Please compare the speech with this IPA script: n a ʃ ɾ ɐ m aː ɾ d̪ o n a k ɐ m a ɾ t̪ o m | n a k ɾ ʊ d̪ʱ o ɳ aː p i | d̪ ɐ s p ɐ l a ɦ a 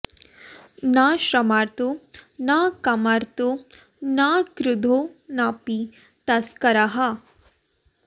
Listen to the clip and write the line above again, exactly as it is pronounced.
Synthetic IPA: n a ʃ ɾ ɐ m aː ɾ t̪ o n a k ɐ m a ɾ t̪ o | n a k ɾ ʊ d̪ʱ o n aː p i | t̪ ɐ s k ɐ ɾ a ɦ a

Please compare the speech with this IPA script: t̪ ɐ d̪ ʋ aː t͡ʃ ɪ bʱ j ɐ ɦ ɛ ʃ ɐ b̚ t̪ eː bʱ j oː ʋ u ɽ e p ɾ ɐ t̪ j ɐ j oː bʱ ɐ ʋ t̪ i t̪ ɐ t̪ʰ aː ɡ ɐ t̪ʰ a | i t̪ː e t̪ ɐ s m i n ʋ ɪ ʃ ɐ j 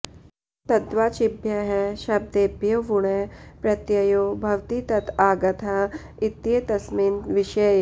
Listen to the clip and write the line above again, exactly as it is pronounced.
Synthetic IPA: t̪ ɐ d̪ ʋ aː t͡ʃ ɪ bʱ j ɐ ɦ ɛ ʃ ɐ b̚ d̪ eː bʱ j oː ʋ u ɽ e p ɾ ɐ t̪ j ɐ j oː bʱ ɐ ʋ t̪ i t̪ ɐ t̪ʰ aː ɡ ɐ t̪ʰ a | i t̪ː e t̪ ɐ s m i n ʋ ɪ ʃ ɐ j

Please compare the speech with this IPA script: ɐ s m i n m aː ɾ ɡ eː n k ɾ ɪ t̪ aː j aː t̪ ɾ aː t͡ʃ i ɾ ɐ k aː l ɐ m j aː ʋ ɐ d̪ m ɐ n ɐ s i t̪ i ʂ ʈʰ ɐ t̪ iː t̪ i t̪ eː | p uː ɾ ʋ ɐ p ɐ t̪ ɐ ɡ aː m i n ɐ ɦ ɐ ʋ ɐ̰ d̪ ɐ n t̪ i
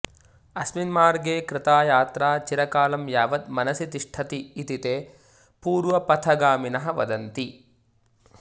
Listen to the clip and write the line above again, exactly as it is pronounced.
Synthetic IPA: ɐ s m i n m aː ɾ ɡ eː k ɾ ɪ t̪ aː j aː t̪ ɾ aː t͡ʃ i ɾ ɐ k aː l ɐ m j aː ʋ ɐ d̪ m ɐ n ɐ s i t̪ i ʂ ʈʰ ɐ t̪ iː t̪ i t̪ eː | p uː ɾ ʋ ɐ p ɐ t̪ʰ ɐ ɡ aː m i n ɐ ɦ ɐ ʋ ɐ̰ d̪ ɐ n t̪ i

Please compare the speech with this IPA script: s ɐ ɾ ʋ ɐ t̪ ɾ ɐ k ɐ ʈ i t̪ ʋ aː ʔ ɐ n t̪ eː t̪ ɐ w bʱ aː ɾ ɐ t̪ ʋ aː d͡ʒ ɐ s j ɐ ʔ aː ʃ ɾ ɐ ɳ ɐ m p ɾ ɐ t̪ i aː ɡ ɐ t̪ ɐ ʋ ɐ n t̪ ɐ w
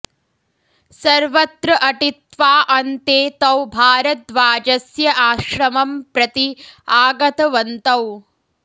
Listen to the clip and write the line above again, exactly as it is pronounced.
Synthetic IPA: s ɐ ɾ ʋ ɐ t̪ ɾ ɐ ʔ ɐ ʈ i t̪ ʋ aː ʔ ɐ n t̪ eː t̪ ɐ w bʱ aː ɾ ɐ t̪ ʋ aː d͡ʒ ɐ s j ɐ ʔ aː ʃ ɾ ɐ m ɐ m p ɾ ɐ t̪ i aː ɡ ɐ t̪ ɐ ʋ ɐ n t̪ ɐ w

